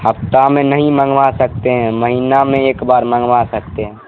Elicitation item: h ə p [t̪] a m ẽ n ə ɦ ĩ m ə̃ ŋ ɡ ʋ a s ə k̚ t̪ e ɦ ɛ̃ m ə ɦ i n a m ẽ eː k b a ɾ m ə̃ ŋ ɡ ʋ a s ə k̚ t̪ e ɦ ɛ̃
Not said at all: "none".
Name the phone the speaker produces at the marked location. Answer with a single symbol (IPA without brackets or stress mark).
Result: t̪